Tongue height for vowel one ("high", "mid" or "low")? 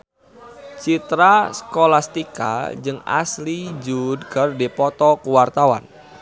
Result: high